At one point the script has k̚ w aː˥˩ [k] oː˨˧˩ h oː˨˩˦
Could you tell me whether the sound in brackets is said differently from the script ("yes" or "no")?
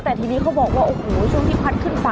yes